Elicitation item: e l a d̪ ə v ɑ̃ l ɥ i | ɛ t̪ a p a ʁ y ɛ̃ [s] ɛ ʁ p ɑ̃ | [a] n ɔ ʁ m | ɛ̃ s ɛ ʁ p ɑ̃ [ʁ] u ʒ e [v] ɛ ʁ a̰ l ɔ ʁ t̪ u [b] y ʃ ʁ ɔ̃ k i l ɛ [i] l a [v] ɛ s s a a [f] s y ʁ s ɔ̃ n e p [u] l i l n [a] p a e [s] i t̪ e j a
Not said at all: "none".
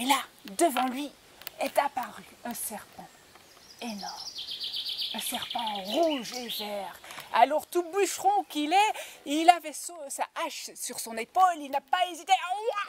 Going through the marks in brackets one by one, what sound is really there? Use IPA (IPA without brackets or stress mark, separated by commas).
s, e, ʁ, v, b, i, v, ʃ, o, a, z